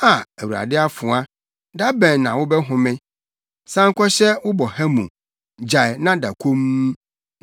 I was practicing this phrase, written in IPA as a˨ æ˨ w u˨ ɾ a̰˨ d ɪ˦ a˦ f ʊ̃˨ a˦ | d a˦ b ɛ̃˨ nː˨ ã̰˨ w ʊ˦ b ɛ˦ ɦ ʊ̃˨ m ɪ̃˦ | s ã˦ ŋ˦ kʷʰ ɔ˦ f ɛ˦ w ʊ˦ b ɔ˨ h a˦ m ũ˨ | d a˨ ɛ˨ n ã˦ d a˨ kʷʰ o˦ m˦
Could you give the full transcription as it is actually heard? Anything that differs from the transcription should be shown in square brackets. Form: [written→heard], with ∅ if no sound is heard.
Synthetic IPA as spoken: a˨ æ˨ w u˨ ɾ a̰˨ d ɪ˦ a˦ f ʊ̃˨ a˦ | d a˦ b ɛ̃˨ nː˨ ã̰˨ w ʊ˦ b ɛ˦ ɦ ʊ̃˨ m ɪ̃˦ | s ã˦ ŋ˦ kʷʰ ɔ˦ [f→ɕ] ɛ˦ w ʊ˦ b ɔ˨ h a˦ m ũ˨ | [d→d͡ʑ] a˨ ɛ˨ n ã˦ d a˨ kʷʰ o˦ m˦